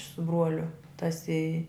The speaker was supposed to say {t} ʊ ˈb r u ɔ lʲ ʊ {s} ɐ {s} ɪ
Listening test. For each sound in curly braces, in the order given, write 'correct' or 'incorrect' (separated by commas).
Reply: incorrect, incorrect, correct